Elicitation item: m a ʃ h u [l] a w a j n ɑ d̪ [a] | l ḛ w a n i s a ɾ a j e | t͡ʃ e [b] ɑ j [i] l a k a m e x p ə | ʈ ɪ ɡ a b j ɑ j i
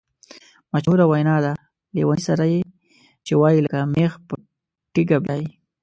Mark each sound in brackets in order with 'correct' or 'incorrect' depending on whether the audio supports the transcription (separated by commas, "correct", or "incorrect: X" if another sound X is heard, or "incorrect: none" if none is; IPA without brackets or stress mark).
incorrect: ɾ, correct, incorrect: w, correct